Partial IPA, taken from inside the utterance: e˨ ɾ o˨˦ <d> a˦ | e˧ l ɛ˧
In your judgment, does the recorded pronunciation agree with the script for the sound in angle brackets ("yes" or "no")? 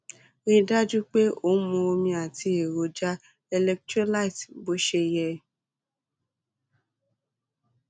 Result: no